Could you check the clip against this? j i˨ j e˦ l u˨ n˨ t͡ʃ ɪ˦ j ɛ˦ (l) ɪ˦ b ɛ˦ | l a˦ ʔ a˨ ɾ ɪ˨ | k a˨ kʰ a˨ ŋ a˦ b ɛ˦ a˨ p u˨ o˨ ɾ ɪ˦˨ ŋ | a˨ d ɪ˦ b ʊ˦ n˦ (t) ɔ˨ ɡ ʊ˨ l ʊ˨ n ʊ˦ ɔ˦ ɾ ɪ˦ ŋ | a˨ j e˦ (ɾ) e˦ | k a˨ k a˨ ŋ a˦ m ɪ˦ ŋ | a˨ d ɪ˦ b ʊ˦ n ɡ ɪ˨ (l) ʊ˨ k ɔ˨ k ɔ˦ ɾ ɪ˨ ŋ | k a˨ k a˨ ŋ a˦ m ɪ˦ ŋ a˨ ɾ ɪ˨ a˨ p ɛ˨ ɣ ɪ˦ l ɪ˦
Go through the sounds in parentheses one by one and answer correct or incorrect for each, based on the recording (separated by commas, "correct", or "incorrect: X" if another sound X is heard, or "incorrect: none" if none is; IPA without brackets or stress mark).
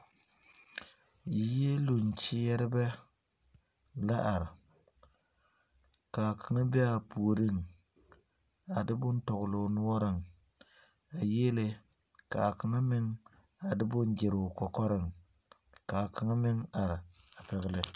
incorrect: ɾ, correct, incorrect: l, incorrect: ɾ